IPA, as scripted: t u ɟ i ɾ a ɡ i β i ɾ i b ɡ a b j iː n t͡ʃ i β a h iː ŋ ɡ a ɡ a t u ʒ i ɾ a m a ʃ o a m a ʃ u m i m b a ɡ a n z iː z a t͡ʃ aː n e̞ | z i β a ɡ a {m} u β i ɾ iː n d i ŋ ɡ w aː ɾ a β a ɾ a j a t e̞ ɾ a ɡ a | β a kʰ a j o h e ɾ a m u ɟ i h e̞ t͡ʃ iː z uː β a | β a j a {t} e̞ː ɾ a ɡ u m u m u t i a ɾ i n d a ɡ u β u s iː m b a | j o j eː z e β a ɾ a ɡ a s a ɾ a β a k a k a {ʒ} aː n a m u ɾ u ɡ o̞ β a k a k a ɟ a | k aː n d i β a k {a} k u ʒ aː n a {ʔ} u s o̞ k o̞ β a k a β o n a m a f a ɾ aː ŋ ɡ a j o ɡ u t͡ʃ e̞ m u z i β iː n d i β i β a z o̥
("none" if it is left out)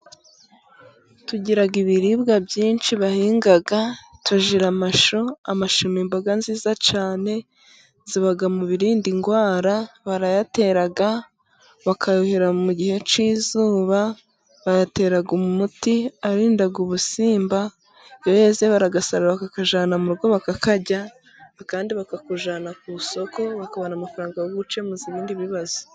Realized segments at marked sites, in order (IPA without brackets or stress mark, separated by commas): m, t, ʒ, a, k